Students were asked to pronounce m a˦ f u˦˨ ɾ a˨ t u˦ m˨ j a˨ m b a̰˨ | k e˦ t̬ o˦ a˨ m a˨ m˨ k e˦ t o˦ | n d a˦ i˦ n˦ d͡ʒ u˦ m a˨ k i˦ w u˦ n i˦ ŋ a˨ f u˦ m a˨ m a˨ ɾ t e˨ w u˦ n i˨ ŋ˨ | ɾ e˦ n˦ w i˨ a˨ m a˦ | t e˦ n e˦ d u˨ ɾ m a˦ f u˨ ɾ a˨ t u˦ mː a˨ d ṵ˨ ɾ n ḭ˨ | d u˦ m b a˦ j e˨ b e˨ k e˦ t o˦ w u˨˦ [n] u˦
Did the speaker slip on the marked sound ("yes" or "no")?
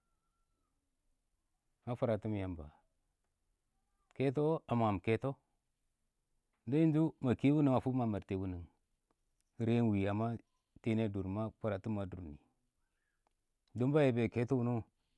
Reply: no